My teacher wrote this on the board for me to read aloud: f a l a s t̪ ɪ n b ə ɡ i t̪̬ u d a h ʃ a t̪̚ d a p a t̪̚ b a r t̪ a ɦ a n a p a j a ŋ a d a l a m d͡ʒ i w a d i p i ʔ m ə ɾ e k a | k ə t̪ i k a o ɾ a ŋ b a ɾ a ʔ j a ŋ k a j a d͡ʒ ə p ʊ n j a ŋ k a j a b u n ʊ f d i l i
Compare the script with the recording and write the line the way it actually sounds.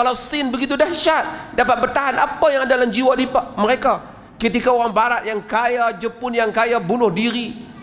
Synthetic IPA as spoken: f a l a s t̪ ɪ n b ə ɡ i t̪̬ u d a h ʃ a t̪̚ d a p a t̪̚ b ə r t̪ a ɦ a n a p a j a ŋ a d a l a m d͡ʒ i w a d i p a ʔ m ə ɾ e k a | k ə t̪ i k a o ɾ a ŋ b a ɾ a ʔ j a ŋ k a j a d͡ʒ ə p ʊ n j a ŋ k a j a b u n ʊ h d i ɾ i